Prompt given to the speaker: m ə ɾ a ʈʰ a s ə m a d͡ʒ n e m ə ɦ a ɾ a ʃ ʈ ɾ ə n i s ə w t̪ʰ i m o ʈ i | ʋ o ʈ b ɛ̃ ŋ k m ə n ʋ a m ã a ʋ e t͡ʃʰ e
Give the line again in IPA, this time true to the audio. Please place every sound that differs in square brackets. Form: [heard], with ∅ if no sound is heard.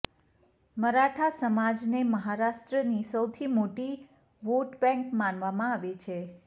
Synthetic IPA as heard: m ə ɾ a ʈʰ a s ə m a d͡ʒ n e m ə ɦ a ɾ a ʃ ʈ ɾ ə n i s ə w t̪ʰ i m o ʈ i | ʋ o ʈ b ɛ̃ ŋ k m [a] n ʋ a m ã a ʋ e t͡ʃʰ e